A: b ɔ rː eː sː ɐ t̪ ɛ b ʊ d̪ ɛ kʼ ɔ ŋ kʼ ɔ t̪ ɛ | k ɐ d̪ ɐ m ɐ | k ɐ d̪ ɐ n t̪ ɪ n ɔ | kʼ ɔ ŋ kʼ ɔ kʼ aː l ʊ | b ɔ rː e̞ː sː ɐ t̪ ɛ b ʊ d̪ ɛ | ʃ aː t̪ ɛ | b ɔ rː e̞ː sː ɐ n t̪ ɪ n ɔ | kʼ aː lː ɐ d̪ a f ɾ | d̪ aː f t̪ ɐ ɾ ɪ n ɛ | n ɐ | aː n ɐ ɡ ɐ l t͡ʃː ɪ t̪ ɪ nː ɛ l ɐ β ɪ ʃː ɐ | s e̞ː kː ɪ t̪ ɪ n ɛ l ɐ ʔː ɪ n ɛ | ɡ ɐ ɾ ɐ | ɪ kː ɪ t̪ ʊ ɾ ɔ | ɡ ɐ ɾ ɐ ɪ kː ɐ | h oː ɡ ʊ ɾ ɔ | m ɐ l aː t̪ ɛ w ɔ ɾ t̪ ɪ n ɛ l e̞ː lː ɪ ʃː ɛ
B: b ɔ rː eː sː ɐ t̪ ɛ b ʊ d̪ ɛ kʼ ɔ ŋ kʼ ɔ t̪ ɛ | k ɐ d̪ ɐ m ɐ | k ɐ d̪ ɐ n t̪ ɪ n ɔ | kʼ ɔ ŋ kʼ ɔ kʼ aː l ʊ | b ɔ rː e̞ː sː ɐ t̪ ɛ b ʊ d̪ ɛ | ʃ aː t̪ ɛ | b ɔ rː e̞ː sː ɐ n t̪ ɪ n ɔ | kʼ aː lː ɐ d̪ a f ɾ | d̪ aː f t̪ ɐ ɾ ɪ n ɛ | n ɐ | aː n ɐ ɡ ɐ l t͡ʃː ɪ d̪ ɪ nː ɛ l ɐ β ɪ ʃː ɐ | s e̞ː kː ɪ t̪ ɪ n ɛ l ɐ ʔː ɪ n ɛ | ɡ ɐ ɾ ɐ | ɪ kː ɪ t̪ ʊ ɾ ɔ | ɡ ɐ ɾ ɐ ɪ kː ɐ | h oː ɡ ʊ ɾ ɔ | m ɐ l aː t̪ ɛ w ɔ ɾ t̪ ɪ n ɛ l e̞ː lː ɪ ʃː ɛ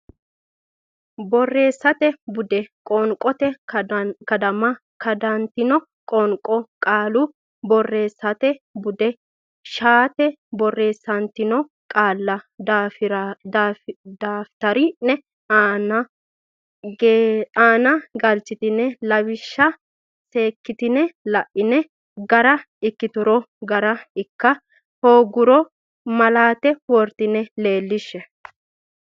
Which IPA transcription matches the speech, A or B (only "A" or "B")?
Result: A